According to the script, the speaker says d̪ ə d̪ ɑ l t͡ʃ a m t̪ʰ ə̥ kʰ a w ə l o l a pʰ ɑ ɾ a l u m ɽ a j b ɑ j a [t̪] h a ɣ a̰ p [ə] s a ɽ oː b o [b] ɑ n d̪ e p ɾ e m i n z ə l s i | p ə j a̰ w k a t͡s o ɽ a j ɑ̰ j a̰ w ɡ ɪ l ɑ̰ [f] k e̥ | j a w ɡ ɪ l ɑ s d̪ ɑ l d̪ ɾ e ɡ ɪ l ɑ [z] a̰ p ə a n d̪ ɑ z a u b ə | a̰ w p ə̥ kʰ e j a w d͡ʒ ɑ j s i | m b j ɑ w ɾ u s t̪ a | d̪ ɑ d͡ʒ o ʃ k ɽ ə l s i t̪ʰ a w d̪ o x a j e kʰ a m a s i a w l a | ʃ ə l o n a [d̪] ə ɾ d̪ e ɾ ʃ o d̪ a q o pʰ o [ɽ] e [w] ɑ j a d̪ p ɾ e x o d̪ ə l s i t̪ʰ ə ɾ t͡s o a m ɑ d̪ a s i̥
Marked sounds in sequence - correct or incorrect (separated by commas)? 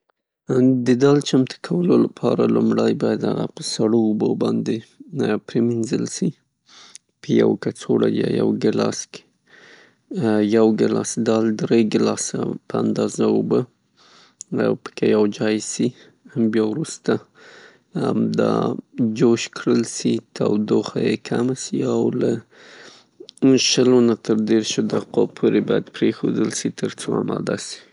incorrect, correct, correct, incorrect, incorrect, incorrect, incorrect, incorrect